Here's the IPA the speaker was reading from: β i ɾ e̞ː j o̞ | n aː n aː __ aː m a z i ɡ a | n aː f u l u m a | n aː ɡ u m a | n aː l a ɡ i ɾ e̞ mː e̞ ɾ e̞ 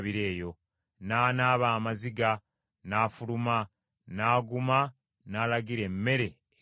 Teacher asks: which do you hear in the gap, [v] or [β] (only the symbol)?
β